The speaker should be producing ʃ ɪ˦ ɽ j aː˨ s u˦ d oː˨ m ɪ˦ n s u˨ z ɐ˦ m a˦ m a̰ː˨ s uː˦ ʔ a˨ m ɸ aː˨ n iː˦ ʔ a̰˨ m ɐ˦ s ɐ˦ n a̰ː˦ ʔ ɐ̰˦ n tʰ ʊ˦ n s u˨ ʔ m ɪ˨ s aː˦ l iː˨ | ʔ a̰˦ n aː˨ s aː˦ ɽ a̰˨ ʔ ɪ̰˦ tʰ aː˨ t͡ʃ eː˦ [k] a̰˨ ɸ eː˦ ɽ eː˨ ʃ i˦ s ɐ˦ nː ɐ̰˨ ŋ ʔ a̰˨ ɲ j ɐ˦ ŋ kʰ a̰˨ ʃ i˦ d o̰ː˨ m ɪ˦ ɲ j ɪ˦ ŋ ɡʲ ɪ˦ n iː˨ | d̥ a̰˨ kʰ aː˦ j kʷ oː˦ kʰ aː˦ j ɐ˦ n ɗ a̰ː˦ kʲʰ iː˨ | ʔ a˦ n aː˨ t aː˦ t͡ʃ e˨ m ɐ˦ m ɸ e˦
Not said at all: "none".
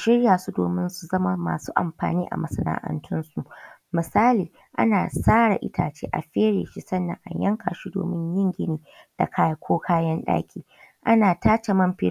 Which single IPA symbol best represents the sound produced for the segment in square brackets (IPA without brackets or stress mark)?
ʔ